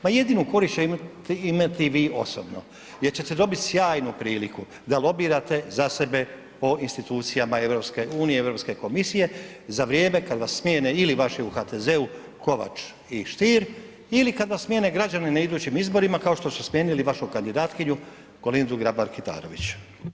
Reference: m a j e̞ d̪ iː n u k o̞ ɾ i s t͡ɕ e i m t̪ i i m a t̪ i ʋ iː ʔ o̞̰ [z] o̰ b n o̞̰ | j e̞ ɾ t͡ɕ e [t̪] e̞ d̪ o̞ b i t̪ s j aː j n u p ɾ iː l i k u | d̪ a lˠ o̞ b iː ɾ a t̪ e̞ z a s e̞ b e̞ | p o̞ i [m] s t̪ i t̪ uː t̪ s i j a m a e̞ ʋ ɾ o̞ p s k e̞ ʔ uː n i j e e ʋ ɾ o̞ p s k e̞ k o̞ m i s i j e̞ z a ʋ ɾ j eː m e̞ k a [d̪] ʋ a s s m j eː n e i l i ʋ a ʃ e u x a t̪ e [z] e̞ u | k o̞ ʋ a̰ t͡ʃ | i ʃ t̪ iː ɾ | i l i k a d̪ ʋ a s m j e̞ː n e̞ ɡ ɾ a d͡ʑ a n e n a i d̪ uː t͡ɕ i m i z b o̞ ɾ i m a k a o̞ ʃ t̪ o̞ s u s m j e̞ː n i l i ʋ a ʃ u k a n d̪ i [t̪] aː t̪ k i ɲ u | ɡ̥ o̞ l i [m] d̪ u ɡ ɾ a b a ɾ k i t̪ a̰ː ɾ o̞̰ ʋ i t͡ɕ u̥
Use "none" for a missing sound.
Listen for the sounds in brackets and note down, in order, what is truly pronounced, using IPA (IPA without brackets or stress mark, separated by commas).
s, t̪, n, d̪, z, d̪, n